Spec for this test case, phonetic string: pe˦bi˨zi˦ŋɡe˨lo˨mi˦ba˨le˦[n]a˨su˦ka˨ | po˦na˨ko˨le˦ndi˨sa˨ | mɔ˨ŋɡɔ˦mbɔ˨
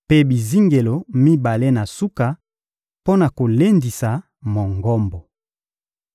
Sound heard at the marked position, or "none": n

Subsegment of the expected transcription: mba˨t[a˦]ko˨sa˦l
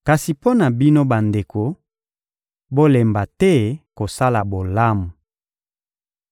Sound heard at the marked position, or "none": ɛ˦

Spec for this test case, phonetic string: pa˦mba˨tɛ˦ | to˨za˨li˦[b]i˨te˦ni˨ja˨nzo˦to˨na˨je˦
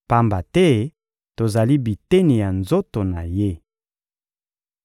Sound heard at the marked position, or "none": b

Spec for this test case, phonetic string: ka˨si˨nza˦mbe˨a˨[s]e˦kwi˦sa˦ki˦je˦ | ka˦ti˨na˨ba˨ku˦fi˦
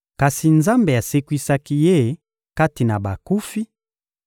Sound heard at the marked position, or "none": s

